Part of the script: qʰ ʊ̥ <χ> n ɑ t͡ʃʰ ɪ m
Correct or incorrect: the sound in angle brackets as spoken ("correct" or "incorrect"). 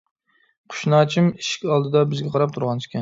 incorrect